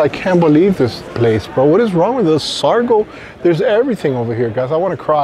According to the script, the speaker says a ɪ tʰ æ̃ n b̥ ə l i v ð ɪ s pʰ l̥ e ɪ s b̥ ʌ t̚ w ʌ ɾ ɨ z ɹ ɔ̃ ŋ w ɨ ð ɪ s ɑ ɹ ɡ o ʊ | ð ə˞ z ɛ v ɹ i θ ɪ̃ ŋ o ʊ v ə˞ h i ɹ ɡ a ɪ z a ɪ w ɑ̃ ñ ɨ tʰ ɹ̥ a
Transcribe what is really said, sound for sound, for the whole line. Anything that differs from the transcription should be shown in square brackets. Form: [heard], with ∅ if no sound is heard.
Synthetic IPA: a ɪ [kʰ] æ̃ n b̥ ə l i v ð ɪ s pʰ l̥ e ɪ s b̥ ʌ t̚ w ʌ ɾ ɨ z ɹ ɔ̃ ŋ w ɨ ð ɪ s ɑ ɹ ɡ o ʊ | ð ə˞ z ɛ v ɹ i θ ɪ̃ ŋ o ʊ v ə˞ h i ɹ ɡ a ɪ z a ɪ w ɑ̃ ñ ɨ [kʰ] ɹ̥ a